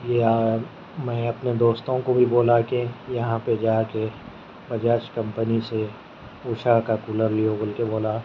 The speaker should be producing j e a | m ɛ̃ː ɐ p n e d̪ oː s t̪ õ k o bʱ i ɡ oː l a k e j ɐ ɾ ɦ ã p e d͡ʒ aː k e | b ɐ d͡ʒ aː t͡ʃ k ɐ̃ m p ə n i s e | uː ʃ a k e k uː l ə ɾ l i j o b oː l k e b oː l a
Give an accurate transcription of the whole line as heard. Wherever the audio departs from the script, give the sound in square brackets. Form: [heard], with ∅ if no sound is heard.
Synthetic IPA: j e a | m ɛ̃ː ɐ p n e d̪ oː s t̪ õ k o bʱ i [b] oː l a k e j ɐ [∅] ɦ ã p e d͡ʒ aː k e | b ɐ d͡ʒ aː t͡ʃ k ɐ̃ m p ə n i s e | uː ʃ a k [a] k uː l ə ɾ l i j o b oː l k e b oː l a

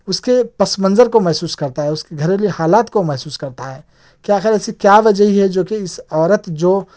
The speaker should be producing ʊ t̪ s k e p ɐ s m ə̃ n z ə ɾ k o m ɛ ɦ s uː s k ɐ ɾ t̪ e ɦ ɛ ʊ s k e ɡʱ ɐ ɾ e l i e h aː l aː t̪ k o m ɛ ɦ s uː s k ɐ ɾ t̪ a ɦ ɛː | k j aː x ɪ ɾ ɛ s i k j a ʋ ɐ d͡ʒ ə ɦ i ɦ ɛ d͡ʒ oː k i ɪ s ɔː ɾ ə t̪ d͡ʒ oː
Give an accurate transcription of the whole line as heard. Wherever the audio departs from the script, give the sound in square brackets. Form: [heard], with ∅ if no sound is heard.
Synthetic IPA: ʊ [∅] s k e p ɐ s m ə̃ n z ə ɾ k o m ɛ ɦ s uː s k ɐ ɾ t̪ [a] ɦ ɛ ʊ s k e ɡʱ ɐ ɾ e l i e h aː l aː t̪ k o m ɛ ɦ s uː s k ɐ ɾ t̪ a ɦ ɛː | k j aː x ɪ ɾ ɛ s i k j a ʋ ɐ d͡ʒ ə ɦ i ɦ ɛ d͡ʒ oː k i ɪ s ɔː ɾ ə t̪ d͡ʒ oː

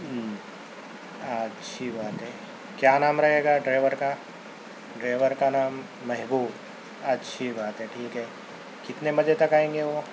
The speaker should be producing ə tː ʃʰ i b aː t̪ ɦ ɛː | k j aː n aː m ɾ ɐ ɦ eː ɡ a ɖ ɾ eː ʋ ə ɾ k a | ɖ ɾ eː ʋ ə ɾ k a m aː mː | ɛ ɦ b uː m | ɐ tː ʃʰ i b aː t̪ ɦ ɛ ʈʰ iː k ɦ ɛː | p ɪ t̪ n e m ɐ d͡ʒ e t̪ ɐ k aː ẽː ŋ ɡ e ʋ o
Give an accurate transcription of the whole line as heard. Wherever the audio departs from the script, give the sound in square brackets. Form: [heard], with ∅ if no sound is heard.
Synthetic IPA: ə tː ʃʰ i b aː t̪ ɦ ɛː | k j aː n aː m ɾ ɐ ɦ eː ɡ a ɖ ɾ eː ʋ ə ɾ k a | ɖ ɾ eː ʋ ə ɾ k a [n] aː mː | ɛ ɦ b uː [b] | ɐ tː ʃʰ i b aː t̪ ɦ ɛ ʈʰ iː k ɦ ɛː | [k] ɪ t̪ n e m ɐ d͡ʒ e t̪ ɐ k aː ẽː ŋ ɡ e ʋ o

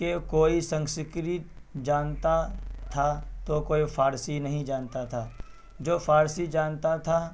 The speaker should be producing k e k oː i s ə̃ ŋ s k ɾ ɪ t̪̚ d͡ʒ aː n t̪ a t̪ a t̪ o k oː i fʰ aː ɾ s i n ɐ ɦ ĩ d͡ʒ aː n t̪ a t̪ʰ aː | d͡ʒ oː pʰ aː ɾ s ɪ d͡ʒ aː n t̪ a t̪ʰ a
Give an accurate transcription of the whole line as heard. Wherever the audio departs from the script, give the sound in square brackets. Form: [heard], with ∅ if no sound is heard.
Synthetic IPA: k e k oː i s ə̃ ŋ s k ɾ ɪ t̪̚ d͡ʒ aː n t̪ a [t̪ʰ] a t̪ o k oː i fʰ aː ɾ s i n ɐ ɦ ĩ d͡ʒ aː n t̪ a t̪ʰ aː | d͡ʒ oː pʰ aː ɾ s [i] d͡ʒ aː n t̪ a t̪ʰ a

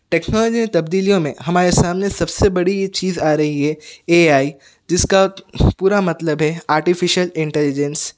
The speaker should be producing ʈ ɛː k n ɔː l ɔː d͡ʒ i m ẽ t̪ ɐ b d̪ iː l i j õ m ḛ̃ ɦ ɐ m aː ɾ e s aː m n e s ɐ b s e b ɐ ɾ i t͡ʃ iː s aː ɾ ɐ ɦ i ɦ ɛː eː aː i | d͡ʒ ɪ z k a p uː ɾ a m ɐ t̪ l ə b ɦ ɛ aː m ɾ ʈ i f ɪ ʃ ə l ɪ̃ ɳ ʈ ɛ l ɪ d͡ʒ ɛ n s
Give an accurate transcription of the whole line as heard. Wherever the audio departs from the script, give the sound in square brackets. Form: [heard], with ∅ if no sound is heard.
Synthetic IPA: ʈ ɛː k n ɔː l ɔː d͡ʒ i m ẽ t̪ ɐ b d̪ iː l i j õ m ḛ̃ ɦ ɐ m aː ɾ e s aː m n e s ɐ b s e b ɐ [ɽ] i t͡ʃ iː [z] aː ɾ ɐ ɦ i ɦ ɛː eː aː i | d͡ʒ ɪ [s] k a p uː ɾ a m ɐ t̪ l ə b ɦ ɛ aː [∅] ɾ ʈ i f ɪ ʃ ə l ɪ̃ ɳ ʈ ɛ l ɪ d͡ʒ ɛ n s

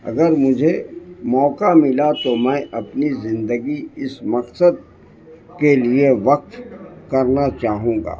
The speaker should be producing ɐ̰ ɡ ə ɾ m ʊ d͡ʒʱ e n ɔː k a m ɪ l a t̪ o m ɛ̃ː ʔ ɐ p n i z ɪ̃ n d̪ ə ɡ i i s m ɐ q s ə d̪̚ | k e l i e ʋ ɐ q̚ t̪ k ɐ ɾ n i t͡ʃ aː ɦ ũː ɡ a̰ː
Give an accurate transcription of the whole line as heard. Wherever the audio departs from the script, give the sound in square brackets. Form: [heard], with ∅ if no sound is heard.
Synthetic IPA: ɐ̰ ɡ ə ɾ m ʊ d͡ʒʱ e [m] ɔː k a m ɪ l a t̪ o m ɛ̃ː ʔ ɐ p n i z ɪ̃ n d̪ ə ɡ i [ɪ] s m ɐ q s ə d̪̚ | k e l i e ʋ ɐ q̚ t̪ k ɐ ɾ n [a] t͡ʃ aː ɦ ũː ɡ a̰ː

